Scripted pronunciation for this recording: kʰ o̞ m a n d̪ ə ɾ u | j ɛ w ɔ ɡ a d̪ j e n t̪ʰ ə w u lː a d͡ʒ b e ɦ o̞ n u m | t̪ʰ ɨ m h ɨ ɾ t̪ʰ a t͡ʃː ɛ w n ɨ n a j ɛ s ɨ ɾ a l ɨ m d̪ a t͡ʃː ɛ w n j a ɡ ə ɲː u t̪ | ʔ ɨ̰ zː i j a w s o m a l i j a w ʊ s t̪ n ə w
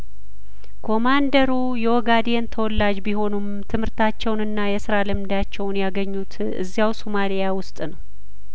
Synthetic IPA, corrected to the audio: kʰ o̞ m a n d̪ ə ɾ u | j ɛ w ɔ ɡ a d̪ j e n t̪ʰ ə w ɔ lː a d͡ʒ b i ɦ o̞ n u m | t̪ʰ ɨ m h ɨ ɾ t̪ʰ a t͡ʃː ɛ w n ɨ nː a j ɛ s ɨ ɾ a l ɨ m d̪ a t͡ʃː ɛ w n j a ɡ ə ɲː u t̪ | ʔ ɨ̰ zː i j a w s o m a l i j a w ʊ s t̪ʼ n ə w